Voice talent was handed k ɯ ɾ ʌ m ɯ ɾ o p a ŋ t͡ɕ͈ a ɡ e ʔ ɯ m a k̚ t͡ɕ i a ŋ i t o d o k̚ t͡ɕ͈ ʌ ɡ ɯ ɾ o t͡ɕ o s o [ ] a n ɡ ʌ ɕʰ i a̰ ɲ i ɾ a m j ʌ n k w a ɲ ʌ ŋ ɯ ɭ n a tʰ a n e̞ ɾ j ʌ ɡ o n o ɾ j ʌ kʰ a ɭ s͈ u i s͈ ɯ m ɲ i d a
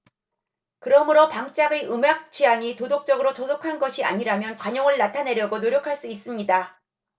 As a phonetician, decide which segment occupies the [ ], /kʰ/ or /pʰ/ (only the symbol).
kʰ